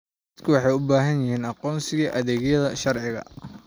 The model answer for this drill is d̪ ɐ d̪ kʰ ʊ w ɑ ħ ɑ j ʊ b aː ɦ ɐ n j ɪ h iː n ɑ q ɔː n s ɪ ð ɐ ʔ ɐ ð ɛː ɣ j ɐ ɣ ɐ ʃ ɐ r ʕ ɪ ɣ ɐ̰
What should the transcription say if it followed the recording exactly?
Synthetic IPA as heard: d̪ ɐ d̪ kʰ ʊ w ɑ ħ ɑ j ʊ b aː ɦ ɐ n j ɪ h iː n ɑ q ɔː n s ɪ ɣ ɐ ʔ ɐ ð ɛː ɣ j ɐ ð ɐ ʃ ɐ r ʕ ɪ ɣ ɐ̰

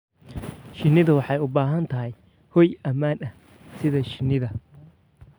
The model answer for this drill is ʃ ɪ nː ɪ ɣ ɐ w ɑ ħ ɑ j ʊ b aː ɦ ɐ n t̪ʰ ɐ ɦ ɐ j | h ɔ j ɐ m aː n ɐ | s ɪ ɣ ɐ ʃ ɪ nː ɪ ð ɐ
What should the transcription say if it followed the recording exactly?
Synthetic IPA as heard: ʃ ɪ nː ɪ ð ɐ w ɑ ħ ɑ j ʊ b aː ɦ ɐ n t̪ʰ ɐ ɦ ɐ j | h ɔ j ɐ m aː n ɐ | s ɪ ð ɐ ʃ ɪ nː ɪ ð ɐ

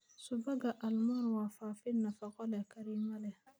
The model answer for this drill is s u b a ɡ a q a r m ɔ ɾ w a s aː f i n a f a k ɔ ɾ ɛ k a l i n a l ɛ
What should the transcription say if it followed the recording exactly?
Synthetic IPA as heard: s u b a ɡ a ʔ a l m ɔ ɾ w a f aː f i n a f a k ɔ l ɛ k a ɾ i m a l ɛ

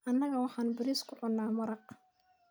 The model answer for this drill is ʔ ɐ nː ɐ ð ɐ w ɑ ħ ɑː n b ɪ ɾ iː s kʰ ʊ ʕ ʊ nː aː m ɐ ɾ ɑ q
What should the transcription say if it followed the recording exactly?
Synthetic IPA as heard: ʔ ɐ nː ɐ ɣ ɐ w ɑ ħ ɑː n b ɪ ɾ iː s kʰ ʊ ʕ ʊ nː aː m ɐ ɾ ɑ q

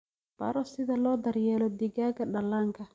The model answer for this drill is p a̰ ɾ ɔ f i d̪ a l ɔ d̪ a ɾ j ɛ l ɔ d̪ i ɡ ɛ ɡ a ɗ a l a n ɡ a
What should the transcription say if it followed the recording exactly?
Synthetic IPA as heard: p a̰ ɾ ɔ s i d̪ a l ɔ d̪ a ɾ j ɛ l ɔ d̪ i ɡ a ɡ a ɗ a l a ŋ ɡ a

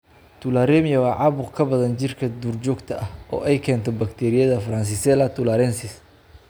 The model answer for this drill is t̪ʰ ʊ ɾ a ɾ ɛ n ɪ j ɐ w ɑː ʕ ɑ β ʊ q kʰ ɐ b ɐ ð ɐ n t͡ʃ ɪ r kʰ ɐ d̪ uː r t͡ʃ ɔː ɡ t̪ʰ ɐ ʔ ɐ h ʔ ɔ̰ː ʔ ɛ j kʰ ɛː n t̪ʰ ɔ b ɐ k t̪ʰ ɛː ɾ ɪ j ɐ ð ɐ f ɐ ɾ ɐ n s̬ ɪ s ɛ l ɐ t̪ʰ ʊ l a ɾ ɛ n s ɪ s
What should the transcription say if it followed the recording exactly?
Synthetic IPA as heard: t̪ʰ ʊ l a ɾ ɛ m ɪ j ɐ w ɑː ʕ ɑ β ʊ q kʰ ɐ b ɐ ð ɐ n t͡ʃ ɪ r kʰ ɐ d̪ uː r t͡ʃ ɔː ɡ t̪ʰ ɐ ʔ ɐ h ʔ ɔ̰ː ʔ ɛ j kʰ ɛː n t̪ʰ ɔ b ɐ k t̪ʰ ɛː ɾ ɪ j ɐ ð ɐ f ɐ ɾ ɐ n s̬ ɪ s ɛ l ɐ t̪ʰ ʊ l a ɾ ɛ n s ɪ s

